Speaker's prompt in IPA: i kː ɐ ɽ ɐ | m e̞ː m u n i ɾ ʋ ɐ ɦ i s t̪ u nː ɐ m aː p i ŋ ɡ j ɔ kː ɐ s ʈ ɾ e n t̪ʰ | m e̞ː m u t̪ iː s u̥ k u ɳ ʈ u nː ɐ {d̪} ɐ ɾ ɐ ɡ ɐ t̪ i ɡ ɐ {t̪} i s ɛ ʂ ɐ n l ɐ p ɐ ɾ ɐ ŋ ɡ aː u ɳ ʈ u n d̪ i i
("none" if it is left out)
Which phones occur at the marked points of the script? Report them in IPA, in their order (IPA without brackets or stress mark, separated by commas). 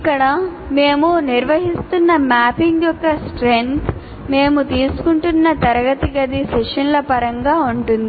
t̪, d̪